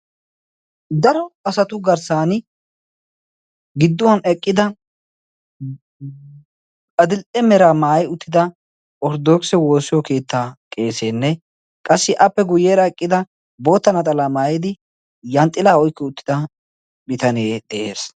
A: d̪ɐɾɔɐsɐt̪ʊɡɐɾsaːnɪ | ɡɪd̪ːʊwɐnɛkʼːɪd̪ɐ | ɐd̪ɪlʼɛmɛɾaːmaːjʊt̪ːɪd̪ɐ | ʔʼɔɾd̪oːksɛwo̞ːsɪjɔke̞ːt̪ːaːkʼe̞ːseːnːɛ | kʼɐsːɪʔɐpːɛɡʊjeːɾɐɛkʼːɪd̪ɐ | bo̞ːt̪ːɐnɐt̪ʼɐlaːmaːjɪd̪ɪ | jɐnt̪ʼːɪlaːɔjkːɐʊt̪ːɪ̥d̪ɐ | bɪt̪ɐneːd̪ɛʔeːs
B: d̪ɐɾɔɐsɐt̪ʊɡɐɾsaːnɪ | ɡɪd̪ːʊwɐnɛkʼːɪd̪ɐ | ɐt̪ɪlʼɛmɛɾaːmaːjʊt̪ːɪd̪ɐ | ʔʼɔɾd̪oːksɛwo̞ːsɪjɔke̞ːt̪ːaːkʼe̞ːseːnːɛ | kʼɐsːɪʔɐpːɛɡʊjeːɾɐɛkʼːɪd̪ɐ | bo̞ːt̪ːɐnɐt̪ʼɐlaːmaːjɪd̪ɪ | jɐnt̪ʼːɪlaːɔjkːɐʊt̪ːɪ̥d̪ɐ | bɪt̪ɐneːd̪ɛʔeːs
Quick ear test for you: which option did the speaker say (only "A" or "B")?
A